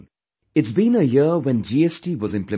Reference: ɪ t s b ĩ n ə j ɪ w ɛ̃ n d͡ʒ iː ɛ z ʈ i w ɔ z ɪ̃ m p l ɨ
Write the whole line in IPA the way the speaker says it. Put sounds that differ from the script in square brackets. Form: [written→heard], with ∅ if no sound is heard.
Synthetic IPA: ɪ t s b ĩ n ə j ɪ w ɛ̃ n d͡ʒ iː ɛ [z→s] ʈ i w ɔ z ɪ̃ m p l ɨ

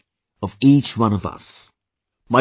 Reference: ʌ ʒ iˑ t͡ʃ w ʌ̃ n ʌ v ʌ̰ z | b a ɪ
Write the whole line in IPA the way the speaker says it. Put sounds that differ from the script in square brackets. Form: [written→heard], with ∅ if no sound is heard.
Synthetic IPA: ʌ [ʒ→v] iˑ t͡ʃ w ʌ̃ n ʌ v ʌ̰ [z→s] | [b→m] a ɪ

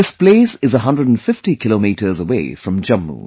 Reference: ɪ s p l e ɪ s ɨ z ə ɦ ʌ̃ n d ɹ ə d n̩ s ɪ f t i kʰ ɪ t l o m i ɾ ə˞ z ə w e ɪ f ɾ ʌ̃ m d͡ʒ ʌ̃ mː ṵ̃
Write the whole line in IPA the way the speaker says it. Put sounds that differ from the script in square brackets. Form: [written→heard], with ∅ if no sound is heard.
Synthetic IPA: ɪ s p l e ɪ s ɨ z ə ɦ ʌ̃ n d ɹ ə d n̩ [s→f] ɪ f t i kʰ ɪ [t→∅] l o m i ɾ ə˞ z ə w e ɪ f [ɾ→ɹ] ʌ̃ m d͡ʒ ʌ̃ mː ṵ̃

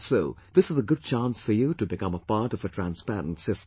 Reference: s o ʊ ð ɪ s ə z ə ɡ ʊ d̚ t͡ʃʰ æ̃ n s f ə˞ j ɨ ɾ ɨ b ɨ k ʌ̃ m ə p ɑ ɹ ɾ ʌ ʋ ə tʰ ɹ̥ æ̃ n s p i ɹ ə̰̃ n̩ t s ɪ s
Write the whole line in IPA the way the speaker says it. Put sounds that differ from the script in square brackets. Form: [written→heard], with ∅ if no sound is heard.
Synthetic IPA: s o ʊ ð ɪ s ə z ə ɡ ʊ d̚ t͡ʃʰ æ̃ n s f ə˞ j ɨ ɾ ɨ b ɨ k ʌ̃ m ə p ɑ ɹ ɾ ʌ [ʋ→v] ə tʰ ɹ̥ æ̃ n s p [i→æ] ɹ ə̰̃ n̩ t s ɪ s

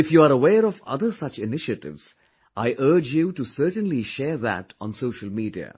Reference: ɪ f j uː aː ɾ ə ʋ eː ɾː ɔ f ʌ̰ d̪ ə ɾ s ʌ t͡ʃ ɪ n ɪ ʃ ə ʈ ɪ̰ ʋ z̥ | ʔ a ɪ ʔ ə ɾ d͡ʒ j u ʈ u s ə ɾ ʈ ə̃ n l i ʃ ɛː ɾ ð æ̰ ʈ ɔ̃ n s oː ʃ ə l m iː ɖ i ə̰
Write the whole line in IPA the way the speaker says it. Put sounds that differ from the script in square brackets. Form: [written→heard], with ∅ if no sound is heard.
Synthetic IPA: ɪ f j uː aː ɾ ə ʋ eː [ɾː→ɾ] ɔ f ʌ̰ d̪ ə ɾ s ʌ t͡ʃ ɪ n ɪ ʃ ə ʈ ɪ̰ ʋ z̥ | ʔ a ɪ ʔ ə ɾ d͡ʒ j u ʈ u s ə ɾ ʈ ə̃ n l i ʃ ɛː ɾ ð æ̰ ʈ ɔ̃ n s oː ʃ ə l m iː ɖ i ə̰

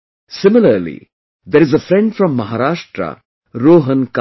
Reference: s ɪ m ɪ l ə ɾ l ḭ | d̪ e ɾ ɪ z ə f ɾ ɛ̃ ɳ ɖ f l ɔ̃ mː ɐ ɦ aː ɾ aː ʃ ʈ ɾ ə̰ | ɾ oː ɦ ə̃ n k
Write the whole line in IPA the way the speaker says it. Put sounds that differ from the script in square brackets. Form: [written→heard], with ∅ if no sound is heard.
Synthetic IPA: s ɪ m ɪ l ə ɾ l ḭ | d̪ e ɾ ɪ z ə f ɾ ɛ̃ ɳ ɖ f [l→ɾ] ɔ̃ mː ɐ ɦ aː ɾ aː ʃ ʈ ɾ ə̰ | ɾ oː ɦ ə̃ n k

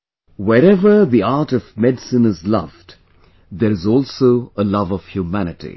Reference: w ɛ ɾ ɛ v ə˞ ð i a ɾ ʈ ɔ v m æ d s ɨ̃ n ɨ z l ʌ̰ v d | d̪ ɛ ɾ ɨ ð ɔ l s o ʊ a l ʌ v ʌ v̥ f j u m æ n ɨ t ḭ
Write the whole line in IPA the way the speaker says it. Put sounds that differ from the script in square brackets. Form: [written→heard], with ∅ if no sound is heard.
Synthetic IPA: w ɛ ɾ ɛ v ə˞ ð i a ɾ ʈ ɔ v m [æ→ɛ] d s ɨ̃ n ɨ z l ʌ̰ v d | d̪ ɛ ɾ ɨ [ð→z] ɔ l s o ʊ [a→ə] l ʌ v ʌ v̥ [f→h] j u m æ n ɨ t ḭ

